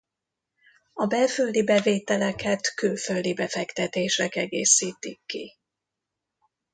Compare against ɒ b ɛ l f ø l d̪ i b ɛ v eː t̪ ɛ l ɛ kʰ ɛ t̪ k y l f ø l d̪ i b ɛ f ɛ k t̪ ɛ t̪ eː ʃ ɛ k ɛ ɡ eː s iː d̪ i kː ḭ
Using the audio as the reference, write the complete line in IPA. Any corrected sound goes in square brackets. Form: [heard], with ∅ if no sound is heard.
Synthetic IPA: ɒ b ɛ l f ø l d̪ i b ɛ v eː t̪ ɛ l ɛ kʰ ɛ t̪ k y l f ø l d̪ i b ɛ f ɛ k t̪ ɛ t̪ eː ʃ ɛ k ɛ ɡ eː s iː [t̪] i kː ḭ